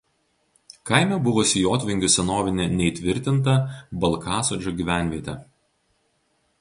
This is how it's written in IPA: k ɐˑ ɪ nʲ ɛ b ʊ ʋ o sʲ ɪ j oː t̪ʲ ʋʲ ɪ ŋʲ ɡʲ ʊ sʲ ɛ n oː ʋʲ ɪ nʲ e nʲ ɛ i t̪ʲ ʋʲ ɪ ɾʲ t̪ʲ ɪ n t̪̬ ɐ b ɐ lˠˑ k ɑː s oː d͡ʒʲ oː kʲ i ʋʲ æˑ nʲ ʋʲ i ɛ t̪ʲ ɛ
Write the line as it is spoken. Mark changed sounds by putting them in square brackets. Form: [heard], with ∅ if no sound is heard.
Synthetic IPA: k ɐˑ ɪ [mʲ] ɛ b ʊ ʋ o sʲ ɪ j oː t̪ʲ ʋʲ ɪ ŋʲ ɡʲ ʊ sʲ ɛ n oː ʋʲ ɪ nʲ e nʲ ɛ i t̪ʲ ʋʲ ɪ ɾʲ t̪ʲ ɪ n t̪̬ ɐ b ɐ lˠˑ k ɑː s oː d͡ʒʲ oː [ɡʲ] i ʋʲ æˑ nʲ ʋʲ i ɛ t̪ʲ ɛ